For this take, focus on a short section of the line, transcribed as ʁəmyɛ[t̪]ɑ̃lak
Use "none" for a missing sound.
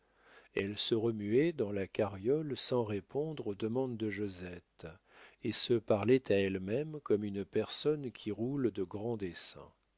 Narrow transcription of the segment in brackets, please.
d̪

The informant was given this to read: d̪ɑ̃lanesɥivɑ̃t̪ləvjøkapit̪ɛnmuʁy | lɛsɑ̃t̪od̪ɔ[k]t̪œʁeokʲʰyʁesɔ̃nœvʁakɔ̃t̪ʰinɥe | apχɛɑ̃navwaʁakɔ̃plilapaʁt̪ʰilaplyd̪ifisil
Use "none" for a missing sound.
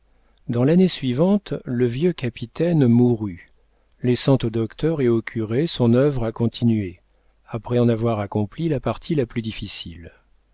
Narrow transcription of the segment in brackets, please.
k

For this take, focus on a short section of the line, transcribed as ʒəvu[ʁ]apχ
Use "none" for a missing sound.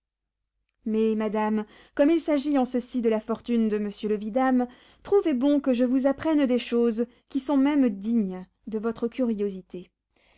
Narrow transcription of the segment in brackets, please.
z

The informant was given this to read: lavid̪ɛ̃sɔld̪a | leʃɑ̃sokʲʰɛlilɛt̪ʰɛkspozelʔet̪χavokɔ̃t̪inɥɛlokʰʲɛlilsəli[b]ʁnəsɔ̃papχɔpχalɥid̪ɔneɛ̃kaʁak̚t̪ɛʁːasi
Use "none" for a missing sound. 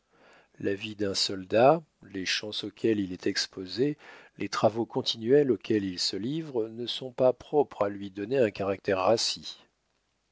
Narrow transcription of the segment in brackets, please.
v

